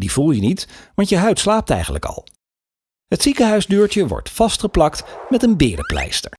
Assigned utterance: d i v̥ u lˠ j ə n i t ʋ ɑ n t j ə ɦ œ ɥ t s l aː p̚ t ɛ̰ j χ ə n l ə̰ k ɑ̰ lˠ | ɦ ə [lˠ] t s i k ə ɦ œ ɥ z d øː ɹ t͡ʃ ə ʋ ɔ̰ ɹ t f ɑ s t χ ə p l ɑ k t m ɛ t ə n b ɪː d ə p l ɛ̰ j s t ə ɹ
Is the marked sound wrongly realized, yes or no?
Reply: yes